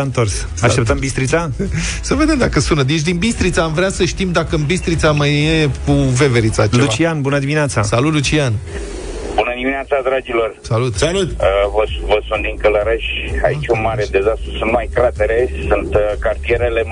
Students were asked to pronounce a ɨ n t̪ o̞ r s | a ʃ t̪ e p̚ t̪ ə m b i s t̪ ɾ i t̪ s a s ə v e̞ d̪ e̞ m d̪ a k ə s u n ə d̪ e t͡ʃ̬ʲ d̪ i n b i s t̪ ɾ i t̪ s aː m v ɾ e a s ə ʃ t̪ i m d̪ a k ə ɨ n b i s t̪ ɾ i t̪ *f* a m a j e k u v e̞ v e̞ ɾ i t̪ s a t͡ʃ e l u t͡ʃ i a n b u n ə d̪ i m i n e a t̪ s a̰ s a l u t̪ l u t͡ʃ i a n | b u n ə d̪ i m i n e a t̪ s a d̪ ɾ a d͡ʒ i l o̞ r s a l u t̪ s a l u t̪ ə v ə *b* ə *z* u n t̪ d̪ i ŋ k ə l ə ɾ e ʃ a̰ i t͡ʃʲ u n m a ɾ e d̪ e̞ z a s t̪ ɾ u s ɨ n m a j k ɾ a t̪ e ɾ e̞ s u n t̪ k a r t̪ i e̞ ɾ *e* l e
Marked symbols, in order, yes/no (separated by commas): no, no, no, yes